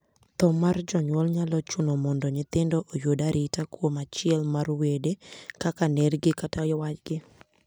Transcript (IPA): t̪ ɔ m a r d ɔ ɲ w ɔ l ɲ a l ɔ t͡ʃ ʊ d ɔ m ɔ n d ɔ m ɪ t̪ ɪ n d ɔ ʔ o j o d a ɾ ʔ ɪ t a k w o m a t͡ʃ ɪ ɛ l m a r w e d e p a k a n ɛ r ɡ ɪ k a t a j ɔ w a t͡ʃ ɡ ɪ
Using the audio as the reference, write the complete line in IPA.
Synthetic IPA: t̪ ɔ m a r d͡ʒ ɔ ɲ w ɔ l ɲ a l ɔ t͡ʃ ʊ n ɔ m ɔ n d ɔ ɲ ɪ t̪ ɪ n d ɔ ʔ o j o d a ɾ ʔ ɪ t a k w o m a t͡ʃ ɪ ɛ l m a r w e d e k a k a n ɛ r ɡ ɪ k a t a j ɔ w a t͡ʃ ɡ ɪ

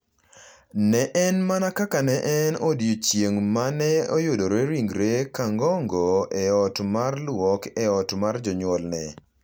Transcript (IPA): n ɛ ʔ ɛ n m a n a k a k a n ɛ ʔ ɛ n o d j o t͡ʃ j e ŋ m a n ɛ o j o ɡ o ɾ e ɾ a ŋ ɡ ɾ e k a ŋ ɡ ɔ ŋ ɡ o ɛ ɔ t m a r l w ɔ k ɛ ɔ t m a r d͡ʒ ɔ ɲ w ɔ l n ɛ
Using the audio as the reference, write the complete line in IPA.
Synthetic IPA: n ɛ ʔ ɛ n m a n a k a k a n ɛ ʔ ɛ n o d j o t͡ʃ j e ŋ m a n ɛ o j o d o ɾ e ɾ i ŋ ɡ ɾ e k a ŋ ɡ ɔ ŋ ɡ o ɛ ɔ t m a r l w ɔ k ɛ ɔ t m a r d͡ʒ ɔ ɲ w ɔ l n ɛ

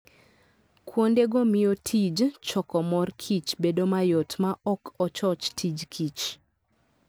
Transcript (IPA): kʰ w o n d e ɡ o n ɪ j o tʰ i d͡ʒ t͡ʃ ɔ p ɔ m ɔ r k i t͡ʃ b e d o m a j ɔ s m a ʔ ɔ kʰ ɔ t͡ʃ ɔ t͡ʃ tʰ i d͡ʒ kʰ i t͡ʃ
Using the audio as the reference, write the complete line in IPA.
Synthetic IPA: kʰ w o n d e ɡ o m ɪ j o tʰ i d͡ʒ t͡ʃ ɔ k ɔ m ɔ r kʰ i t͡ʃ b e d o m a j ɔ t m a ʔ ɔ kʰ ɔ t͡ʃ ɔ t͡ʃ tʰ i d͡ʒ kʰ i t͡ʃ

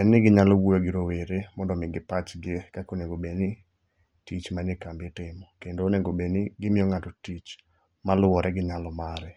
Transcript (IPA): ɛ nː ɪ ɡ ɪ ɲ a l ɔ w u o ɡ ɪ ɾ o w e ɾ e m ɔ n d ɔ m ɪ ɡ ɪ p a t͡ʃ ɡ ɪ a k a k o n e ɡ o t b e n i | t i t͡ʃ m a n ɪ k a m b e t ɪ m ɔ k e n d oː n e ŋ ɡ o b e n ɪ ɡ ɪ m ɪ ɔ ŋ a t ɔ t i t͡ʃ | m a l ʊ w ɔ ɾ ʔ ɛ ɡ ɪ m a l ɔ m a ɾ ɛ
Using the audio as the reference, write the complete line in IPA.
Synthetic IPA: ɛ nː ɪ ɡ ɪ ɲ a l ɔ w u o ɡ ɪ ɾ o w e ɾ e m ɔ n d ɔ m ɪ ɡ ɪ p a t͡ʃ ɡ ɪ e k a k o n e ɡ o b e n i | t i t͡ʃ m a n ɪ k a m b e t ɪ m ɔ k e n d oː n e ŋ ɡ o b e n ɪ ɡ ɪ m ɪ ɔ ŋ a t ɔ t i t͡ʃ | m a l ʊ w ɔ ɾ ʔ ɛ ɡ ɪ ɲ a l ɔ m a ɾ ɛ

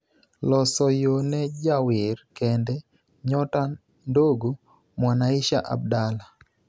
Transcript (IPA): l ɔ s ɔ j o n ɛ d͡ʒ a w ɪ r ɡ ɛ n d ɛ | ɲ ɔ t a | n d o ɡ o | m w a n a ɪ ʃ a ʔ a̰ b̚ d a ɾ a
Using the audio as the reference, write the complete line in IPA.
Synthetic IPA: l ɔ s ɔ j o n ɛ d͡ʒ a w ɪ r k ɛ n d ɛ | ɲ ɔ t a | n d o ɡ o | m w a n a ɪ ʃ a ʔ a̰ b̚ d a l a

